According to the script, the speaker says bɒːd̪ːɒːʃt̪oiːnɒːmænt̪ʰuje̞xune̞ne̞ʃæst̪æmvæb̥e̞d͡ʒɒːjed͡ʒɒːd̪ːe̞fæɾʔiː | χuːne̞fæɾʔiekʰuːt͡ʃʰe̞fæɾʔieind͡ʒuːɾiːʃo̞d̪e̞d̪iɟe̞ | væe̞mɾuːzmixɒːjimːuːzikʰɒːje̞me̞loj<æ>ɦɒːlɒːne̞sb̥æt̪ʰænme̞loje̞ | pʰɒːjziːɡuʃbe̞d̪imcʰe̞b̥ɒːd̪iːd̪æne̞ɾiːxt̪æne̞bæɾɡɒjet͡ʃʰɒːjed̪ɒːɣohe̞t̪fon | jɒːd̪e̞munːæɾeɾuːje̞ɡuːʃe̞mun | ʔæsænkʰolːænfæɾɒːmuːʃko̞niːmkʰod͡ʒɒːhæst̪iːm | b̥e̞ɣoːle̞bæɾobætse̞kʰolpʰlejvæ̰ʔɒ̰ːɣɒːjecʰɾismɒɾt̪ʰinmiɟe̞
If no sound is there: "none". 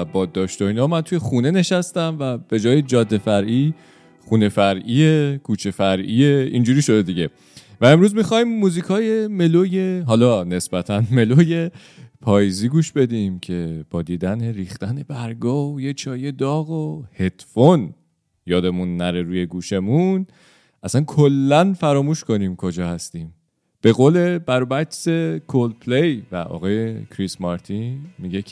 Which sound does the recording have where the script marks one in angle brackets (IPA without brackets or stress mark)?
e